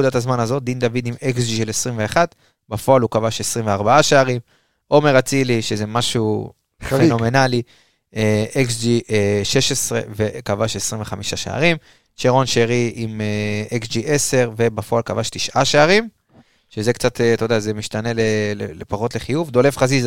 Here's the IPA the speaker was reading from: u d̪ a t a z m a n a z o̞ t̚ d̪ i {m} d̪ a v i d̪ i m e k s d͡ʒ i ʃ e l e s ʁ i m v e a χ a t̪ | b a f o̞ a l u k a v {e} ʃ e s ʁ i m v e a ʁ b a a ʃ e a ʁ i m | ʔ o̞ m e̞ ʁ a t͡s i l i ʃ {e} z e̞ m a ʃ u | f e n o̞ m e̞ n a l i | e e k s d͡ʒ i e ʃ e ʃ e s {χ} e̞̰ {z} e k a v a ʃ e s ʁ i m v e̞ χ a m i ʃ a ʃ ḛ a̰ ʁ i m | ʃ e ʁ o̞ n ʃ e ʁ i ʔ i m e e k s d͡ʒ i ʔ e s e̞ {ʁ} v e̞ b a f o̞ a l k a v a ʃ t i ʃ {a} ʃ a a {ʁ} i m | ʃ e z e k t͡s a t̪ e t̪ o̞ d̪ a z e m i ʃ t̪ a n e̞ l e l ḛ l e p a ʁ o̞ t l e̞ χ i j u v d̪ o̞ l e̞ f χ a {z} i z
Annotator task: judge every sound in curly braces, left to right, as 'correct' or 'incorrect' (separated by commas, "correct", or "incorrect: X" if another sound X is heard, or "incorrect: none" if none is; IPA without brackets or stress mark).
incorrect: n, incorrect: a, correct, incorrect: ʁ, incorrect: v, correct, correct, correct, correct